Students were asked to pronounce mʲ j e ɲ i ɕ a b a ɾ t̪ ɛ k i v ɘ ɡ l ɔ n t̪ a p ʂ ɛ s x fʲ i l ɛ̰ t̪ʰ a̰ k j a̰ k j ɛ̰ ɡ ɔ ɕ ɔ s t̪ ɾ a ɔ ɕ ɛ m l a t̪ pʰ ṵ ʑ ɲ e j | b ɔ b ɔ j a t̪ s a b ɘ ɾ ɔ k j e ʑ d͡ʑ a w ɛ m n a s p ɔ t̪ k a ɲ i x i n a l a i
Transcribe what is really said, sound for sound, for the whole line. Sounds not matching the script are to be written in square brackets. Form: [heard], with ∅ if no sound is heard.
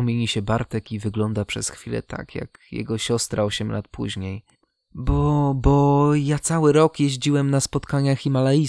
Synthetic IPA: mʲ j e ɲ i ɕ [ɛ] b a ɾ t̪ ɛ k i v ɘ ɡ l ɔ n [d̪] a p ʂ ɛ s x fʲ i l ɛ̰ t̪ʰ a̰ k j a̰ k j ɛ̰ ɡ ɔ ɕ ɔ s t̪ ɾ a ɔ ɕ ɛ m l a t̪ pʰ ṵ ʑ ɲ e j | b ɔ b ɔ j a t̪ s a [w] ɘ ɾ ɔ k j e ʑ d͡ʑ [i] w ɛ m n a s p ɔ t̪ k a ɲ [a] x i [m] a l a i